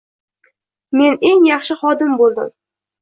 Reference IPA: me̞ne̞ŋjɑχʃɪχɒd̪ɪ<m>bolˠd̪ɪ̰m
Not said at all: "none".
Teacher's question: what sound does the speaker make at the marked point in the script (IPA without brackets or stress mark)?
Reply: m